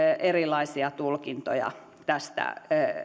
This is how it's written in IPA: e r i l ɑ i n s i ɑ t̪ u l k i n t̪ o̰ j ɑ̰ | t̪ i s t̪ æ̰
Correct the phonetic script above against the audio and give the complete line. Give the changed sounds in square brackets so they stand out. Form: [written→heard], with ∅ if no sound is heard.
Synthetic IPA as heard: e r i l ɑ i [n→∅] s i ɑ t̪ u l k i n t̪ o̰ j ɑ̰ | t̪ [i→æ] s t̪ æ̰